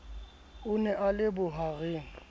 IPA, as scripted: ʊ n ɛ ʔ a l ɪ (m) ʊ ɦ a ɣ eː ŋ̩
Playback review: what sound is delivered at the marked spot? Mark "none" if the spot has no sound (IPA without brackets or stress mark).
b